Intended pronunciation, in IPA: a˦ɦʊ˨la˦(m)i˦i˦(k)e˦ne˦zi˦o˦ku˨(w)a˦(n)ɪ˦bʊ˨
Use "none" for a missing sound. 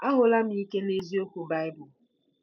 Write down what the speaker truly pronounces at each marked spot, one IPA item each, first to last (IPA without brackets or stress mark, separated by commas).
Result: m, k, b, none